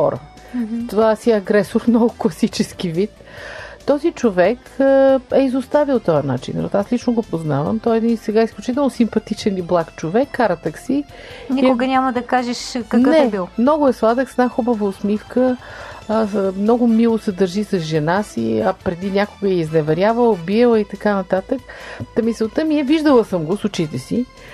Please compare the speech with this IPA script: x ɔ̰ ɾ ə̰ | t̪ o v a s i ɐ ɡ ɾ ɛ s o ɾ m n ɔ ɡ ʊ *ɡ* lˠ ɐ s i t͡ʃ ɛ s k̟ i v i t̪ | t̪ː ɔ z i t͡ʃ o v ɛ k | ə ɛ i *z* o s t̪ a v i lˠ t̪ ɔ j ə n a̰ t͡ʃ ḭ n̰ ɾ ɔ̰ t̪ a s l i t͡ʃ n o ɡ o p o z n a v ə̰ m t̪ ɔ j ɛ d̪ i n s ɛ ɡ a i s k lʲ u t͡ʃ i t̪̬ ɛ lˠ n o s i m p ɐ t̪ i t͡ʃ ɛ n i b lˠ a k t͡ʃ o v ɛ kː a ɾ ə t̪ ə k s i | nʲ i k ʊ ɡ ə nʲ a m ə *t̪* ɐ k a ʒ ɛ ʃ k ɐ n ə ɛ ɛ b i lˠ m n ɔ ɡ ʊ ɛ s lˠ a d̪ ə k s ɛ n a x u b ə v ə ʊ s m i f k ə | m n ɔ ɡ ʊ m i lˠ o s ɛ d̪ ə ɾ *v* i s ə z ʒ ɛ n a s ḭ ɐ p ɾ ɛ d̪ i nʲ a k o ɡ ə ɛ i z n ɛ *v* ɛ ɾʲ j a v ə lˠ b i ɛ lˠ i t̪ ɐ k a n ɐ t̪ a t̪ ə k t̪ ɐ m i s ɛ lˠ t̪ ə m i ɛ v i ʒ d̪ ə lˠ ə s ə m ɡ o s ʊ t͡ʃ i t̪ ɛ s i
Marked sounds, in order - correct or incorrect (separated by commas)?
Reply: incorrect, correct, incorrect, incorrect, correct